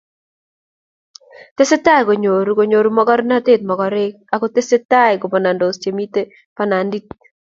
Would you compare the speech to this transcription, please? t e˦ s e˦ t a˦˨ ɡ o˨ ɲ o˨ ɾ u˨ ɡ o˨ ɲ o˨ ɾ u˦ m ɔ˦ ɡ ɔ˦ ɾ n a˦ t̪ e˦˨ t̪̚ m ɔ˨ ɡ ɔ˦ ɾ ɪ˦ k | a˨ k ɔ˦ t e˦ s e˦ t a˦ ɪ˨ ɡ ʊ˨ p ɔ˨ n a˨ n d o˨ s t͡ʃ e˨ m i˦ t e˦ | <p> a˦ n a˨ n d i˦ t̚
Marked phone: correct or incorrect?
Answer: correct